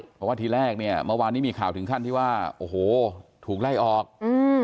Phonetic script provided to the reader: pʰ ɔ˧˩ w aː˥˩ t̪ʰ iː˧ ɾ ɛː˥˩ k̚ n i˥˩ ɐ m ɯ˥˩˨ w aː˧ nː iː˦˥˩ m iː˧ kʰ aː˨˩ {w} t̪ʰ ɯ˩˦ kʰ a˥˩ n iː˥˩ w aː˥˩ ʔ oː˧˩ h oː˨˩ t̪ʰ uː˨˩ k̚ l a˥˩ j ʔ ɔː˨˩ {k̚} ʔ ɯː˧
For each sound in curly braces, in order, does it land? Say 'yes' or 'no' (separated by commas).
yes, yes